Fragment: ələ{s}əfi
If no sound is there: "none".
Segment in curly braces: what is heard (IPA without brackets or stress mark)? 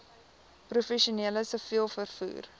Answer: s